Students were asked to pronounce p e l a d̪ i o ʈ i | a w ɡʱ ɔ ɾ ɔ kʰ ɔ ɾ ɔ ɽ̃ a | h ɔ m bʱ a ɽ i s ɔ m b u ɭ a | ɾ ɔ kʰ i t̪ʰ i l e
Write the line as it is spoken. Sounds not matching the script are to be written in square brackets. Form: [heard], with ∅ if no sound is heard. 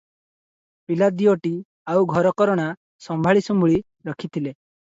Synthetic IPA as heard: p [i] l a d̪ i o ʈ i | a w ɡʱ ɔ ɾ ɔ [k] ɔ ɾ ɔ ɽ̃ a | [s] ɔ m bʱ a [ɭ] i s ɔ m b u ɭ [i] | ɾ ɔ kʰ i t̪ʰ i l e